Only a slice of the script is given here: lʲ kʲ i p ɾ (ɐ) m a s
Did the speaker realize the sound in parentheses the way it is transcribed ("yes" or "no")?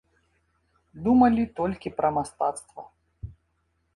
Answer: yes